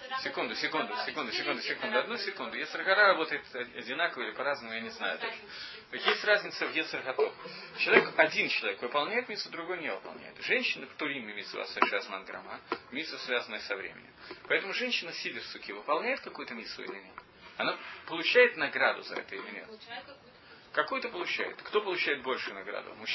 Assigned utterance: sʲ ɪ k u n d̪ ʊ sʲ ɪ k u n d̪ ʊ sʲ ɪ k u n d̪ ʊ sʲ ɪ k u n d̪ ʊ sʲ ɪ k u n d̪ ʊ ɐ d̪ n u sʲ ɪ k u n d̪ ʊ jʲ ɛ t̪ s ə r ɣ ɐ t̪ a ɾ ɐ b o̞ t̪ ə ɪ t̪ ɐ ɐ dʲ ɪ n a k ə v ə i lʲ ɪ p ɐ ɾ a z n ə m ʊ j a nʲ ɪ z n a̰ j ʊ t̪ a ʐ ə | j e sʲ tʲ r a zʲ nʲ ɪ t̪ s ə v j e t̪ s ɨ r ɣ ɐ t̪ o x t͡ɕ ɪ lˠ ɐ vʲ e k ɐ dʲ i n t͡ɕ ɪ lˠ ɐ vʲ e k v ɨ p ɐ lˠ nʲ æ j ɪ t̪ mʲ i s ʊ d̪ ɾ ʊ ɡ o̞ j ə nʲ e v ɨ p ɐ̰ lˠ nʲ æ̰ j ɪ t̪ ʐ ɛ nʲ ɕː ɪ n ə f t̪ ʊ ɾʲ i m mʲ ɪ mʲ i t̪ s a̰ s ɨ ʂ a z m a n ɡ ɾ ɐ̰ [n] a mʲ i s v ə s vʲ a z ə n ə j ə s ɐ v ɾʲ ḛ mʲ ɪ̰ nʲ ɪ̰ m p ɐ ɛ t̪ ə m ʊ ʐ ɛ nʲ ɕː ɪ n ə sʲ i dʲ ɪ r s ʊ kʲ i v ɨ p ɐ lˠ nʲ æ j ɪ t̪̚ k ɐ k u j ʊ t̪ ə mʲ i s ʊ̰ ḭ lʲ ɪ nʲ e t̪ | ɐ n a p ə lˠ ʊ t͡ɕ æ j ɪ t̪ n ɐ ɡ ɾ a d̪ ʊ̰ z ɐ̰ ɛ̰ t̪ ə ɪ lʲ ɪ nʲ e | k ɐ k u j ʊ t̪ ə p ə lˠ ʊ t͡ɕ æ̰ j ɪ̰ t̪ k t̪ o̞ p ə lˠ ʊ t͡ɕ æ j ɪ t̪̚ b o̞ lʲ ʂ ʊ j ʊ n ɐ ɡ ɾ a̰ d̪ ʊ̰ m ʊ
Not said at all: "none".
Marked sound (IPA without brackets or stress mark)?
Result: m